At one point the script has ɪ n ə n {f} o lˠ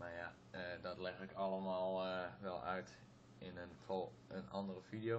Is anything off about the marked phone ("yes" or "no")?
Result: no